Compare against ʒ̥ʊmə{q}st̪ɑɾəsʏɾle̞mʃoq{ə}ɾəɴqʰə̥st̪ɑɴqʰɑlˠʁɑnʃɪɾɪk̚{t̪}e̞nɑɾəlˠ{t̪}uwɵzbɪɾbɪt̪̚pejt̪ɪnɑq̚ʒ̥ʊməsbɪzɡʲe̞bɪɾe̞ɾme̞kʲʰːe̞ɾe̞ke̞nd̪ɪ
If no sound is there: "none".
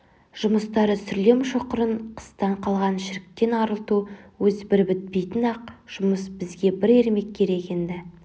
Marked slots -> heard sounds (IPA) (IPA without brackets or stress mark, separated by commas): none, ə, t̪, t̪